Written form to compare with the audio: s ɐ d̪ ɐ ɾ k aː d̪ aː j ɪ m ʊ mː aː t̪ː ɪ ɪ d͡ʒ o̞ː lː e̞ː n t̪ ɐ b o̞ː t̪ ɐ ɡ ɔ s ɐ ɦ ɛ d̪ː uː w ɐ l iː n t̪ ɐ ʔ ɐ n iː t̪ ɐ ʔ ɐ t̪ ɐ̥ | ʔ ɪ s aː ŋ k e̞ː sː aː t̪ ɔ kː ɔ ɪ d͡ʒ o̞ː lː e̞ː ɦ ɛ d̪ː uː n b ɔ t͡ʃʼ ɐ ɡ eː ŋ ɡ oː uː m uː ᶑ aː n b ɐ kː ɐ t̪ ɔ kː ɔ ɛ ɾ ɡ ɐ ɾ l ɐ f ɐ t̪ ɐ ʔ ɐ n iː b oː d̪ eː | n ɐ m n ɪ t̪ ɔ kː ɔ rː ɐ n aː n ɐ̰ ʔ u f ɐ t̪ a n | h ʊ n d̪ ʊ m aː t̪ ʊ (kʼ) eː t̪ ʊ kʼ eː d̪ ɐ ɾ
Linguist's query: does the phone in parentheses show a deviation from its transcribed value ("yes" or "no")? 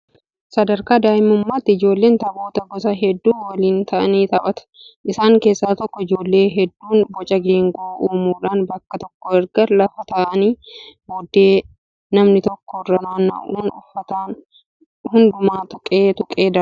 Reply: no